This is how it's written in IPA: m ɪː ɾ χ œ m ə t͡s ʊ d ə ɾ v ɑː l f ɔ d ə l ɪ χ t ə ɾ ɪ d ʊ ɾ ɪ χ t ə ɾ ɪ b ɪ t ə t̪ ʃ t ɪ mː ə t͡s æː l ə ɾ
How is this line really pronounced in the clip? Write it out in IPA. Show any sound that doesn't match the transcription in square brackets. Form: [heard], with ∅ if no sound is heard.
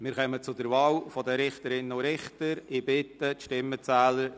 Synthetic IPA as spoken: m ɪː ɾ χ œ m ə t͡s ʊ d ə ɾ v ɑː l f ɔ d ə [ɾ] ɪ χ t ə ɾ ɪ [n] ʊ ɾ ɪ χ t ə ɾ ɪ b ɪ t ə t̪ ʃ t ɪ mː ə t͡s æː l ə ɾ